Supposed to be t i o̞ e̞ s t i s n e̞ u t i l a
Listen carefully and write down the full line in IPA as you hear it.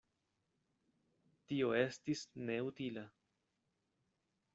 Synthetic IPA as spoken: t i o̞ e̞ s t i s n e̞ u t i l a